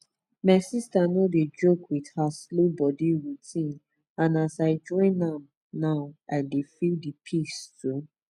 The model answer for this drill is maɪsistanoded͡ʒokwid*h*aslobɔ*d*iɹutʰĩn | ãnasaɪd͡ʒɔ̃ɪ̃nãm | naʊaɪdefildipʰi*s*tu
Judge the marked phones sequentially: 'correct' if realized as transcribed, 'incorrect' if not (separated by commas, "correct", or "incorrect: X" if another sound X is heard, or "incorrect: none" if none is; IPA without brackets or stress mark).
correct, correct, correct